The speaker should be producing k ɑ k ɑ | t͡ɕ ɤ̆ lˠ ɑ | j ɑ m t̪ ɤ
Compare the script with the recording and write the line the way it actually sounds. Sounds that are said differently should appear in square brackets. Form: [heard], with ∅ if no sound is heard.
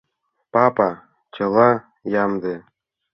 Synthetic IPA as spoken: [p] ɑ [p] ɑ | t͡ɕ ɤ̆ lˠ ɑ | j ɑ m [d̪] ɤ